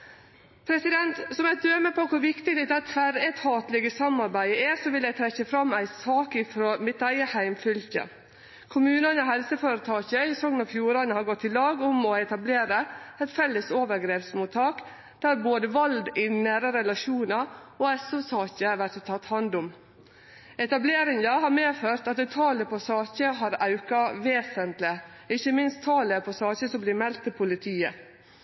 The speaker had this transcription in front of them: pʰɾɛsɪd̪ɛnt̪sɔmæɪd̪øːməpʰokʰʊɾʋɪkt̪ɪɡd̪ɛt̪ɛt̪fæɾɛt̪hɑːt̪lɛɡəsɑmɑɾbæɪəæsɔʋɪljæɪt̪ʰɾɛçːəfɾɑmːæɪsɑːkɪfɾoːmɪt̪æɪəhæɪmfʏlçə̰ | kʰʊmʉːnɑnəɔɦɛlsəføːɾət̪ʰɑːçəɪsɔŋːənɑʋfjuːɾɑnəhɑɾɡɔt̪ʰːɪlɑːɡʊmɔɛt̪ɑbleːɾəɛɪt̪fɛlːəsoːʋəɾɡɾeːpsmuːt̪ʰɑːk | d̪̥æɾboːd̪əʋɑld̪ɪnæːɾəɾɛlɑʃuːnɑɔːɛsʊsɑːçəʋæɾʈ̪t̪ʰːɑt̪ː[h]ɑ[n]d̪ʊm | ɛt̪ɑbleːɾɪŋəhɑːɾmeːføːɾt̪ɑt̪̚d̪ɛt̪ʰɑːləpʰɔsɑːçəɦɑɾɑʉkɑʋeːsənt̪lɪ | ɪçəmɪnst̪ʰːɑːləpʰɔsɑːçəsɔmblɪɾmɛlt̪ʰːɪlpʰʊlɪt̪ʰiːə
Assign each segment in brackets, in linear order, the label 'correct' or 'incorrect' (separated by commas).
correct, correct